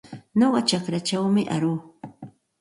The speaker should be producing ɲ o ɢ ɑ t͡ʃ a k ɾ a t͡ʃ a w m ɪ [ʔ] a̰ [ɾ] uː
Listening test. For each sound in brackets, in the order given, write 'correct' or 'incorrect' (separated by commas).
correct, correct